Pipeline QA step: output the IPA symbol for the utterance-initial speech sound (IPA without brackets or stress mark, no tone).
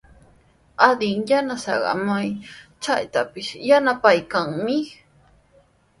a